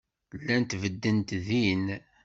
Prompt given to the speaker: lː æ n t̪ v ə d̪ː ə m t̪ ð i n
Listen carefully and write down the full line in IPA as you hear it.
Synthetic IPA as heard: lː æ n t̪ v ə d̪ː ə n t̪ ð i n